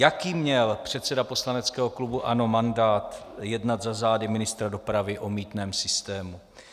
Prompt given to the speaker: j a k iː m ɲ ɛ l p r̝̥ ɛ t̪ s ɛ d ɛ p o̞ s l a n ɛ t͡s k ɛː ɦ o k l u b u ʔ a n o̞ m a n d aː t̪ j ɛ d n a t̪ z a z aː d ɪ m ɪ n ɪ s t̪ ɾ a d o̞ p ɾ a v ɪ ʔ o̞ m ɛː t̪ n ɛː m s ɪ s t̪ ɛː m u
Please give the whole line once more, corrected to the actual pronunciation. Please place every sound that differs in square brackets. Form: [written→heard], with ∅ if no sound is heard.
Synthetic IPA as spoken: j a k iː m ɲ ɛ l p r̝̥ ɛ t̪ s ɛ d [ɛ→a] p o̞ s l a n ɛ t͡s k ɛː ɦ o k l u b u ʔ a n o̞ m a n d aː t̪ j ɛ d n a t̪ z a z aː d ɪ m ɪ n ɪ s t̪ ɾ a d o̞ p ɾ a v ɪ ʔ o̞ m [ɛː→iː] t̪ n ɛː m s ɪ s t̪ ɛː m u